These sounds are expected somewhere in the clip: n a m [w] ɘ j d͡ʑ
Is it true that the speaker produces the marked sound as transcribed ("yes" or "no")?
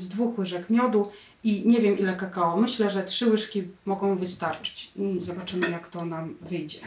no